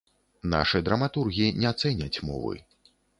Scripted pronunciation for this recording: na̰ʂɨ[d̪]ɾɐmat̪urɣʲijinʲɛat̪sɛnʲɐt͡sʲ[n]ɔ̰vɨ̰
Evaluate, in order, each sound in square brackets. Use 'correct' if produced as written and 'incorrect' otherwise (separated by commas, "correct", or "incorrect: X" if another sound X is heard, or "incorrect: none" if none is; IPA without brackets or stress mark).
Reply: correct, incorrect: m